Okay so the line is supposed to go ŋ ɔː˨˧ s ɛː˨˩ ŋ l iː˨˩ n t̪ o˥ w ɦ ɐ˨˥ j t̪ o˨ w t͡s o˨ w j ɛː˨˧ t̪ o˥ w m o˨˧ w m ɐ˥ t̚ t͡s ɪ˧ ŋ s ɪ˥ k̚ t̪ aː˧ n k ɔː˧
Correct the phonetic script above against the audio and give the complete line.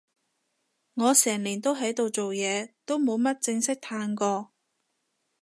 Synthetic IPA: ŋ ɔː˨˧ s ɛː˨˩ ŋ l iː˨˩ n t̪ o˥ w ɦ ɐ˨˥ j t̪ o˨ w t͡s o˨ w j ɛː˨˧ t̪ o˥ w m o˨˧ w m ɐ˥ t̚ t͡s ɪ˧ ŋ s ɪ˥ k̚ t̪ʰ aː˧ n k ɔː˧